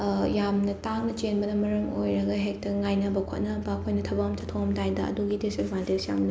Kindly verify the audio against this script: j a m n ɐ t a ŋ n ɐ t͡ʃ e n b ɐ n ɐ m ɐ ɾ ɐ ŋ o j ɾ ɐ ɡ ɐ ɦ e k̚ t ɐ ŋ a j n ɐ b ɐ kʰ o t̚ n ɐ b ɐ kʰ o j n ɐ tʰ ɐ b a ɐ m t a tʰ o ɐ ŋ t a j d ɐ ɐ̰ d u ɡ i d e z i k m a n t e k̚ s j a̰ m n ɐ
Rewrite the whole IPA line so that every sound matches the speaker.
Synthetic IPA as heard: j a m n ɐ t a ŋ n ɐ t͡ʃ e n b ɐ n ɐ m ɐ ɾ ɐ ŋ o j ɾ ɐ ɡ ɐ ɦ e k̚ t ɐ ŋ a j n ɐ b ɐ kʰ o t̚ n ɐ b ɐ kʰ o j n ɐ tʰ ɐ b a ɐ m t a tʰ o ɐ m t a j d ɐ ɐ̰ d u ɡ i d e s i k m a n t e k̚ s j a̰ m n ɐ